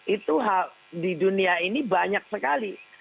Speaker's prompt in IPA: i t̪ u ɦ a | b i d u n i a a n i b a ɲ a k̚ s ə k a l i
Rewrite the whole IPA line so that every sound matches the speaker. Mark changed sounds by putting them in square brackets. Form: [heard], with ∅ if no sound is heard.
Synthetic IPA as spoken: i t̪ u ɦ a | [d] i d u n i a [i] n i b a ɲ a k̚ s ə k a l i

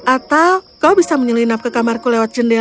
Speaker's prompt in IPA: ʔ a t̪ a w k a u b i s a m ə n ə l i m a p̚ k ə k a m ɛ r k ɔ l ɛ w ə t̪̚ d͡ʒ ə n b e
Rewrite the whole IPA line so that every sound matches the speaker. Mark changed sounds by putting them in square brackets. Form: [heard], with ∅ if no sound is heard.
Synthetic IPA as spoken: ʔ a t̪ a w k a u b i s a m ə [ɲ] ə l i [n] a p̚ k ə k a m [a] r k [u] l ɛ w [a] t̪̚ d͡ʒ ə n [d] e

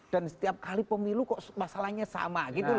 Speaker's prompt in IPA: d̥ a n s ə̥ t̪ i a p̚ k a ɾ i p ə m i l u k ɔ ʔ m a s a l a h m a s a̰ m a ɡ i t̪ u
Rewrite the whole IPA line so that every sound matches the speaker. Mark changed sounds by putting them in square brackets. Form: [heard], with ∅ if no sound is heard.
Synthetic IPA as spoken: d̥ a n s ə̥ t̪ i a p̚ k a [l] i p ə m i l u k ɔ ʔ m a s a l a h [ɲ] a s a̰ m a ɡ i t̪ u

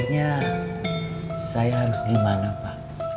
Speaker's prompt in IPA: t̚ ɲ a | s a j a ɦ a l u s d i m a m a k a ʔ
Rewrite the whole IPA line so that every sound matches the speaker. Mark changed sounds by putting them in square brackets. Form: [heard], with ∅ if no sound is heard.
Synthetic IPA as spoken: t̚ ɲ a | s a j a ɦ a [ɾ] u s [ɡ] i m a [n] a [p] a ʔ

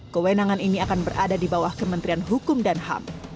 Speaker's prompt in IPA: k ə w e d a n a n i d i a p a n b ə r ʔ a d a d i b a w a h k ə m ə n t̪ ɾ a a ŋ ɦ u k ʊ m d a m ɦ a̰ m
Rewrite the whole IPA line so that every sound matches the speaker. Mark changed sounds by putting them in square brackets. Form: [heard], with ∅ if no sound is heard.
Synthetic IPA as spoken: k ə w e [n] a [ŋ] a n i [n] i a [k] a n b ə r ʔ a d a d i b a w a h k ə m ə n t̪ ɾ [i] a [n] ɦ u k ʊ m d a [n] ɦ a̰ m

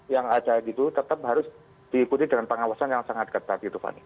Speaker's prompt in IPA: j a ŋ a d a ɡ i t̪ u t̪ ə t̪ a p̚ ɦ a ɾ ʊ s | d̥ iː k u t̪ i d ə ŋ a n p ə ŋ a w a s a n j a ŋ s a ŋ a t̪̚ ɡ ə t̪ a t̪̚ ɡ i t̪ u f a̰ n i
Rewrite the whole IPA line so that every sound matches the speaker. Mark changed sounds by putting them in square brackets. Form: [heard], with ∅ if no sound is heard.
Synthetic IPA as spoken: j a ŋ a d a ɡ i t̪ u t̪ ə t̪ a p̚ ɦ a ɾ ʊ s | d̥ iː k u t̪ i d ə ŋ a n p ə ŋ a w a s a n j a ŋ s a ŋ a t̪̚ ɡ ə t̪ a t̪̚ ɡ i t̪ u f a̰ n i

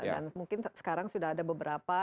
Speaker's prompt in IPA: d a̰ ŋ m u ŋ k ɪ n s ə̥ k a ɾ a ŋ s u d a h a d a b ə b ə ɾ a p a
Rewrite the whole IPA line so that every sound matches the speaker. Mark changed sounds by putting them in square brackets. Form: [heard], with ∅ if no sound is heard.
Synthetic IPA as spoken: d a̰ [n] m u ŋ k ɪ n s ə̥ k a ɾ a ŋ s u d a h a d a b ə b ə ɾ a p a

